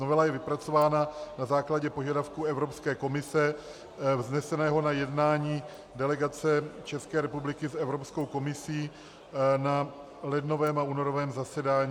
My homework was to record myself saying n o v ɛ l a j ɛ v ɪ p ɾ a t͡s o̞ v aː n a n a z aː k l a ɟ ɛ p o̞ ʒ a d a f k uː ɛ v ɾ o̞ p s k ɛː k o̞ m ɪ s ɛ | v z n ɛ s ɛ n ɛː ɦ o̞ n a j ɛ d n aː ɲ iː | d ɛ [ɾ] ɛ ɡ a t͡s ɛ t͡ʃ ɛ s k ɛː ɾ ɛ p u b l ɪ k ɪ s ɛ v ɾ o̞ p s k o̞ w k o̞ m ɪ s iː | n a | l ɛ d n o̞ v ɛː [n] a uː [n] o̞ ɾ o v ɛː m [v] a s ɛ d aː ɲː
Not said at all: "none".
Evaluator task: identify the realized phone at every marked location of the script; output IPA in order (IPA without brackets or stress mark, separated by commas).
l, m, n, z